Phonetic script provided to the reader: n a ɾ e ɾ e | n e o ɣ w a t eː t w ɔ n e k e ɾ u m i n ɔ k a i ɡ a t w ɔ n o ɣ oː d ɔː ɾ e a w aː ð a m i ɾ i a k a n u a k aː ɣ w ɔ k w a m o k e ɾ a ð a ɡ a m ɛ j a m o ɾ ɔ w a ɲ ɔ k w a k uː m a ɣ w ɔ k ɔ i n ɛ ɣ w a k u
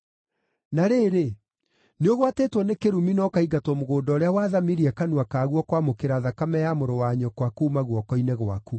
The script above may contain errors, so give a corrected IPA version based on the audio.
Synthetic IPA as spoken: n a ɾ e ɾ e | n e o ɣ w a t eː t w ɔ n e k e ɾ u m i n ɔ k a i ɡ a t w ɔ m o ɣ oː d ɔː ɾ e a w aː ð a m i ɾ i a k a n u a k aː ɣ w ɔ k w a m o k e ɾ a ð a k a m ɛ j a m o ɾ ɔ w a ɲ ɔ k w a k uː m a ɣ w ɔ k ɔ i n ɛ ɣ w a k u